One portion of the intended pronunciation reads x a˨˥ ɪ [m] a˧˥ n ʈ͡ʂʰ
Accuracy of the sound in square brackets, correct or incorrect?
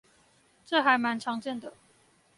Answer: correct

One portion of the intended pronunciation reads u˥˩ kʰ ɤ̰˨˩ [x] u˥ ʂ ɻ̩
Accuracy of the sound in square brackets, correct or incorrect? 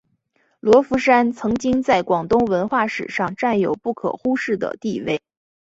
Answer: correct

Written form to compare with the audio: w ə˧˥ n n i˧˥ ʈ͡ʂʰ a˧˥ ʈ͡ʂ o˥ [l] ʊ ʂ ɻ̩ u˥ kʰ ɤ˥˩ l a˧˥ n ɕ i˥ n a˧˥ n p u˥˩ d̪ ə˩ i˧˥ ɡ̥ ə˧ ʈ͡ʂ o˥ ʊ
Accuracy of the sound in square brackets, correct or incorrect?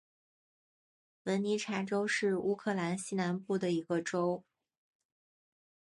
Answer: incorrect: none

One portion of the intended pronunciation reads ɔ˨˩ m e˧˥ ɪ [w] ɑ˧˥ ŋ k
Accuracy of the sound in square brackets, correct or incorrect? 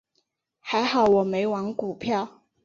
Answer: correct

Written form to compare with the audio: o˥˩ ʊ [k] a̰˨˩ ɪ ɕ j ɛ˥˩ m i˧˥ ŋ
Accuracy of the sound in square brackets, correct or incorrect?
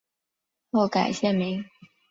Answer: correct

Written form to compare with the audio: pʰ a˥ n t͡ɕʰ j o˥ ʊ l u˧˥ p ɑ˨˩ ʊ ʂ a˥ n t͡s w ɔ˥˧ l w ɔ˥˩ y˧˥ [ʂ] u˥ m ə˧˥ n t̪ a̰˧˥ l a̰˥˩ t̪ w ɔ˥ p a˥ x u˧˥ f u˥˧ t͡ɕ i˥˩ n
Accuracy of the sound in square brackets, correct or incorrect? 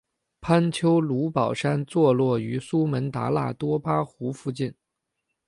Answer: incorrect: s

